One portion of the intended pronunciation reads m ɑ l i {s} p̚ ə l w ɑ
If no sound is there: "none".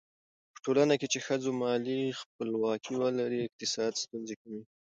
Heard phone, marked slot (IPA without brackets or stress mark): x